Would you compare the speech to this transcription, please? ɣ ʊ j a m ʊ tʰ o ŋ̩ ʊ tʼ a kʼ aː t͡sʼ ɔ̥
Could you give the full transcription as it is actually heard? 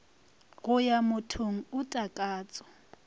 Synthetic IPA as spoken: ɣ ʊ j a m ʊ tʰ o ŋ̩ ʊ tʼ a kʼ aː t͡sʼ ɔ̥

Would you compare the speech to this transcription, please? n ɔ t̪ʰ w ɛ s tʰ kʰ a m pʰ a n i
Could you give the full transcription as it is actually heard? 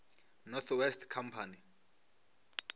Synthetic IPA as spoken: n ɔ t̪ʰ w ɛ s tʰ kʰ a m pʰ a n i

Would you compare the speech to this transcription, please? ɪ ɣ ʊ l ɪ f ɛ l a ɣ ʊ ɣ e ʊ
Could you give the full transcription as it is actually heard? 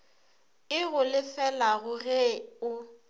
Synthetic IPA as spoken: ɪ ɣ ʊ l ɪ f ɛ l a ɣ ʊ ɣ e ʊ

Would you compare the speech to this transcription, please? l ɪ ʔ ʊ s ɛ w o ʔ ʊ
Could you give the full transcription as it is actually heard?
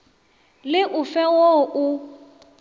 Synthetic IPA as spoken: l ɪ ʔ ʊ f ɛ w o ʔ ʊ

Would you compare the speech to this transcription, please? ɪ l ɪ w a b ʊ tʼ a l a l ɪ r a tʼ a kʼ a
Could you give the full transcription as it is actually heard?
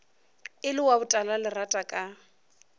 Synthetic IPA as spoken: ɪ l ɪ w a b ʊ tʼ a l a l ɪ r a tʼ a kʼ a

